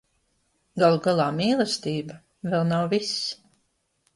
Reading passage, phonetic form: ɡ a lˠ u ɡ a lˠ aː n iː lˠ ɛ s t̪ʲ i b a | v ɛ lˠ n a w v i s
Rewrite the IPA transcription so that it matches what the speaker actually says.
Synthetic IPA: ɡ a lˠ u ɡ a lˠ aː m iː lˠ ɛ s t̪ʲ iː b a | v ɛ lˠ n a w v i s